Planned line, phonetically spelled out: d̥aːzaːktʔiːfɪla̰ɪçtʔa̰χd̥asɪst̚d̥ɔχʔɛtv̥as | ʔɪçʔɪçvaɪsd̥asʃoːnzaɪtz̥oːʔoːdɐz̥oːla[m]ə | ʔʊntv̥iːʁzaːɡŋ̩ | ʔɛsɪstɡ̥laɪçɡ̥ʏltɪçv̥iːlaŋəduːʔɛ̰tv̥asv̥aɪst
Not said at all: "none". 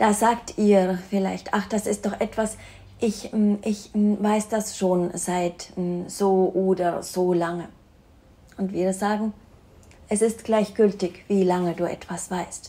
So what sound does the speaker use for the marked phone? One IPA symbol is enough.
ŋ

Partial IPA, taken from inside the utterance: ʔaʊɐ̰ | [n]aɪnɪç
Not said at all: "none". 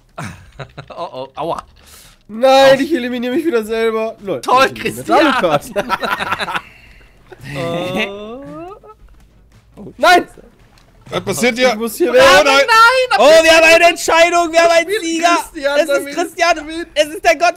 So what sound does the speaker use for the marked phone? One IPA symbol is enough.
n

